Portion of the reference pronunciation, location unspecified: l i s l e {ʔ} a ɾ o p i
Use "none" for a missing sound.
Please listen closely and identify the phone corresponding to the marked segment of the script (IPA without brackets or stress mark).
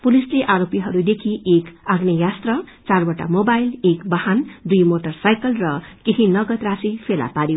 ʔ